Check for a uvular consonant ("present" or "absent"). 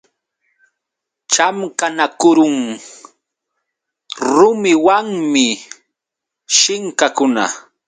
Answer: absent